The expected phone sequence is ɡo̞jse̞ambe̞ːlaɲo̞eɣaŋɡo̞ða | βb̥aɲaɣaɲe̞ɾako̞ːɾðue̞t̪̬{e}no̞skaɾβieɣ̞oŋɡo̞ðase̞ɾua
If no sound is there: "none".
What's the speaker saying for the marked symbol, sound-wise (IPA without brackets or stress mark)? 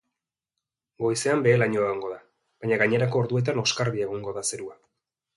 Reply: a